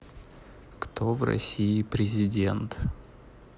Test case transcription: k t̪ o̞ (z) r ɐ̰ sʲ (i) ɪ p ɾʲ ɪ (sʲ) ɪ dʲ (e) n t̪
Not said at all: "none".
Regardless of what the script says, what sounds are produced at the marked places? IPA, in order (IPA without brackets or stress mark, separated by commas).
v, i, zʲ, e